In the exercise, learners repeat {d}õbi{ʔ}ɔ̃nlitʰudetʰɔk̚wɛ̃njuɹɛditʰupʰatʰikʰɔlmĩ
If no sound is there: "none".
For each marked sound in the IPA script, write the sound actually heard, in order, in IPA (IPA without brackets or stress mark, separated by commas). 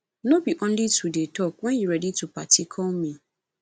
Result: n, ʔ